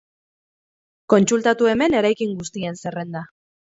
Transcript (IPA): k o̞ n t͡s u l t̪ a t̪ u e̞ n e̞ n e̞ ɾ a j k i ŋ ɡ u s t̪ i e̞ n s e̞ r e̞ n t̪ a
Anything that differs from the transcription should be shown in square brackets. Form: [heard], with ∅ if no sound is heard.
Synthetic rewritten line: k o̞ n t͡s u l t̪ a t̪ u e̞ [m] e̞ n e̞ ɾ a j k i ŋ ɡ u s t̪ i e̞ n s e̞ r e̞ n [d̪] a